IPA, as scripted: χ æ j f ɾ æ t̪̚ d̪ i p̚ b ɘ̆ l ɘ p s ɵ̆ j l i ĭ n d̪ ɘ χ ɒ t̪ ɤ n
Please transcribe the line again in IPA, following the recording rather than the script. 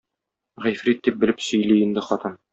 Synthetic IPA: ʁ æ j f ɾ i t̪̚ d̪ i p̚ b ɘ̆ l ɘ p s ɵ̆ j l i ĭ n d̪ ɘ χ ɒ t̪ ɤ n